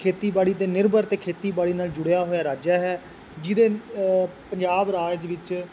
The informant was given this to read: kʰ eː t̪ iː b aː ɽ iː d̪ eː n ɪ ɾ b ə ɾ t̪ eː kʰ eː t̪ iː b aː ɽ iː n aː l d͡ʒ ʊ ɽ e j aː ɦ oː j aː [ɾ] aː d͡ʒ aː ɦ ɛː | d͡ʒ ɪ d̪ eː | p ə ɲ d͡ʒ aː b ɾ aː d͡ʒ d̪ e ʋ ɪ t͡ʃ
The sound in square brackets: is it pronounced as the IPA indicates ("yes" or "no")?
yes